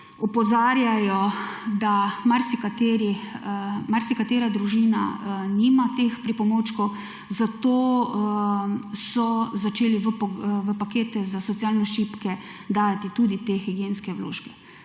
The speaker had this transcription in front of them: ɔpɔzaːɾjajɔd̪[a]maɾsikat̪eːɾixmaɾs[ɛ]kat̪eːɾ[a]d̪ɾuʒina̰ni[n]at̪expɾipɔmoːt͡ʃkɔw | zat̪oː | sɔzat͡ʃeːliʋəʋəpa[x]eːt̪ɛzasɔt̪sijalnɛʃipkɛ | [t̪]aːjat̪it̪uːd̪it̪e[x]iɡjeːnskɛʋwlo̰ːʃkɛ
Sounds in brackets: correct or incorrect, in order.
correct, incorrect: i, correct, incorrect: m, incorrect: k, incorrect: d̪, correct

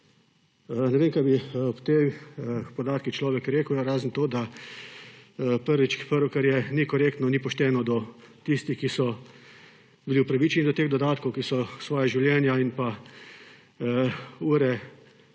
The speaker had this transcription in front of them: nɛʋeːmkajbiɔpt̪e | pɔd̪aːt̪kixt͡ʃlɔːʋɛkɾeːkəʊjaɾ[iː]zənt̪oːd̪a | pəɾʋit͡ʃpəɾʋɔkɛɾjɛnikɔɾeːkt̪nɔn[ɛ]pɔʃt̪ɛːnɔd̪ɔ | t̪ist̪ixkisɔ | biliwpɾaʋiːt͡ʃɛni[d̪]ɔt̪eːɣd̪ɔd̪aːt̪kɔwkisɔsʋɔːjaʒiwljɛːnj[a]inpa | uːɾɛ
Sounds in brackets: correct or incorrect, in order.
incorrect: aː, incorrect: i, correct, correct

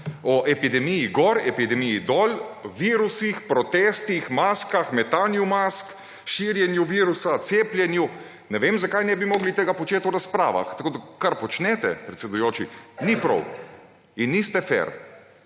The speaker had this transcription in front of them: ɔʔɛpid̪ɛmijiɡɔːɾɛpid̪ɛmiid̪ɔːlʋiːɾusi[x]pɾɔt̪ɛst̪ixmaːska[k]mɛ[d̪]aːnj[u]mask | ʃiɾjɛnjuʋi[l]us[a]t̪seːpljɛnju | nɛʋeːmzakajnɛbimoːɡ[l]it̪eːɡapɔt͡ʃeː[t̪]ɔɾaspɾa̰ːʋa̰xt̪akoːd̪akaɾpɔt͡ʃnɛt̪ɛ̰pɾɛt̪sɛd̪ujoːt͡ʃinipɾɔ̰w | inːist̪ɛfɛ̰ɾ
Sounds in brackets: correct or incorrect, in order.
correct, incorrect: x, incorrect: t̪, correct, incorrect: ɾ, correct, correct, correct

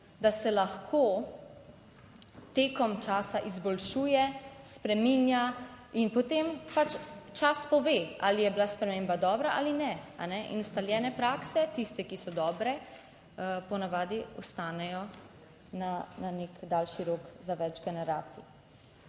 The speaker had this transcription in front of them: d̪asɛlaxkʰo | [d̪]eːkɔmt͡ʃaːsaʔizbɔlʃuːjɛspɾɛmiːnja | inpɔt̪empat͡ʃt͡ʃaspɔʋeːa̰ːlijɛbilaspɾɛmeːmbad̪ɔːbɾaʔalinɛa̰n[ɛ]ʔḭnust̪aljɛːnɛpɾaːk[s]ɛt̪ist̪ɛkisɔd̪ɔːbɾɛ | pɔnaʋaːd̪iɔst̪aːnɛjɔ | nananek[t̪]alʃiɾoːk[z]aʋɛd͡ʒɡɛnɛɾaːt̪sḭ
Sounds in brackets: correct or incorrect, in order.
incorrect: t̪, correct, correct, incorrect: d̪, correct

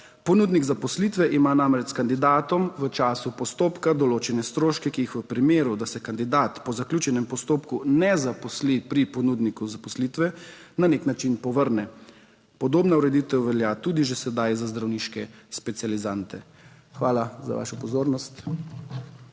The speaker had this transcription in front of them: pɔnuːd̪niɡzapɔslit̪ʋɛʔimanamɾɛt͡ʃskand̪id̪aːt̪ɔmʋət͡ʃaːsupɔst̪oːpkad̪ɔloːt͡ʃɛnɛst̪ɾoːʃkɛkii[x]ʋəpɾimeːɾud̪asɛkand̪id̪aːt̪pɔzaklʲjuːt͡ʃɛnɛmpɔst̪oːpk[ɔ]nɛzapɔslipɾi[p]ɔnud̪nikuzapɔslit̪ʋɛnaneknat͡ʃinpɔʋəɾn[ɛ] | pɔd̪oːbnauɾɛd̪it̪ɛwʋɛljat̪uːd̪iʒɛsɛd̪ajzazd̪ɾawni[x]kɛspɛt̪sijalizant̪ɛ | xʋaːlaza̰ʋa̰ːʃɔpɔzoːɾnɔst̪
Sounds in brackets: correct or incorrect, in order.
correct, incorrect: u, correct, correct, incorrect: ʃ

